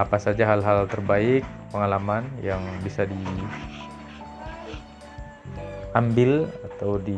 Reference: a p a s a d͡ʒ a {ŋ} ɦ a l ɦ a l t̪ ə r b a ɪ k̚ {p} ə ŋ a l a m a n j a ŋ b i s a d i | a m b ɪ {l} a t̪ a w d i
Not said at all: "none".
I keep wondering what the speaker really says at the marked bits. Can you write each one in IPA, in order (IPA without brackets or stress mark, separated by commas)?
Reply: none, p, l